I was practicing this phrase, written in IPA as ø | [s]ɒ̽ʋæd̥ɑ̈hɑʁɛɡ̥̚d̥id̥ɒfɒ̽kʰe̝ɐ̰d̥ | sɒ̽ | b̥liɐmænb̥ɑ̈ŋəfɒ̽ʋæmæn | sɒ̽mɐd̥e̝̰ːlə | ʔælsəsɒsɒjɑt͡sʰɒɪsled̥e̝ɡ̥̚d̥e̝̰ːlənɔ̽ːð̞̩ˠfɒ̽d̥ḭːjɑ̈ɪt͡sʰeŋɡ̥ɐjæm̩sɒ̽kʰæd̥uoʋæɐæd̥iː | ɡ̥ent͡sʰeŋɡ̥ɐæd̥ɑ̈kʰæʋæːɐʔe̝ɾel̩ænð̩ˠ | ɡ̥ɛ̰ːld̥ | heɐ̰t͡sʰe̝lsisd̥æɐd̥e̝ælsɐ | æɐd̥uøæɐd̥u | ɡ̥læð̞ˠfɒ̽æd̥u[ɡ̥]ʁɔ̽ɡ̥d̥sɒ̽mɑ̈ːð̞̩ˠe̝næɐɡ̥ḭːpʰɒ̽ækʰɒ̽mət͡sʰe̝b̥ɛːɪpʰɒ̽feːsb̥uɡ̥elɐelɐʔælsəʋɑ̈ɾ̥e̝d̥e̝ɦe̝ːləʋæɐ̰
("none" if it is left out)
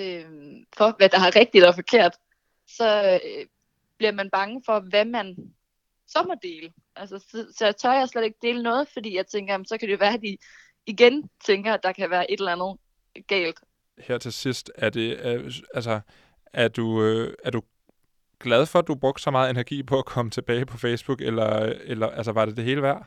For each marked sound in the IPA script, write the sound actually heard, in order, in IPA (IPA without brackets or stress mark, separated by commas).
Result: f, b̥